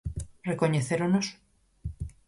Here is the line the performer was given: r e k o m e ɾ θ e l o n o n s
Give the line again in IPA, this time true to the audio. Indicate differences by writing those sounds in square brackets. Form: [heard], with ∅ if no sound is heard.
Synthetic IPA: r e k o [ɲ] e [∅] θ e [ɾ] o n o [∅] s